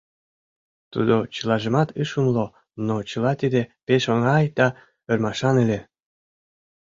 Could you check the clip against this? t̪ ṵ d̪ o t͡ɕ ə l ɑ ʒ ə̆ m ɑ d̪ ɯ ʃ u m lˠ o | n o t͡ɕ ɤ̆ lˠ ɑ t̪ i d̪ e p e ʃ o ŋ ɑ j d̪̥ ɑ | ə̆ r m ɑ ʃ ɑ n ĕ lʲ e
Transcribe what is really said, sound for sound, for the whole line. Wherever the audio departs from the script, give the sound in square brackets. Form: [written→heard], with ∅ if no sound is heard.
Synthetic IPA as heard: t̪ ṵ d̪ o t͡ɕ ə l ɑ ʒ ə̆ m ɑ [d̪→t̪] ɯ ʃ u m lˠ o | n o t͡ɕ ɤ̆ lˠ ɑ t̪ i d̪ e p e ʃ o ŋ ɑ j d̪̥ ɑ | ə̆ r m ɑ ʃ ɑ n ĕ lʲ e